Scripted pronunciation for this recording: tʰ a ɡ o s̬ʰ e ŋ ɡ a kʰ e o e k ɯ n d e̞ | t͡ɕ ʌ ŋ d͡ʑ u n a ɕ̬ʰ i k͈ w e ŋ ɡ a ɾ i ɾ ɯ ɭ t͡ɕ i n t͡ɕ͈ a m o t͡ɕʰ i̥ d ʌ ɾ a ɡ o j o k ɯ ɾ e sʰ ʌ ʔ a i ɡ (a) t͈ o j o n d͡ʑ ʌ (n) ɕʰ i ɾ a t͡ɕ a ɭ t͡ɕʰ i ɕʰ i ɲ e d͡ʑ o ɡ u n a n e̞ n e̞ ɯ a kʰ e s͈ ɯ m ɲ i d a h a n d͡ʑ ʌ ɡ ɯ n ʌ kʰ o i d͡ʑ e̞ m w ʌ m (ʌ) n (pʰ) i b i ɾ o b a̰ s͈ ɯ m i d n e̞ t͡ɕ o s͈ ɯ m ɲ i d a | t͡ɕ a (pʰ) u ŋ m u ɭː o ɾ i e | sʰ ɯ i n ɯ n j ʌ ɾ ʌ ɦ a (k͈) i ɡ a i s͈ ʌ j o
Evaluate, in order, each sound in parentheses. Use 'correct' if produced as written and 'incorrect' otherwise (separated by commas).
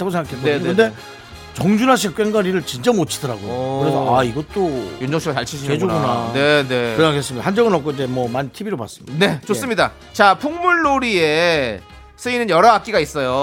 incorrect, incorrect, incorrect, incorrect, correct, correct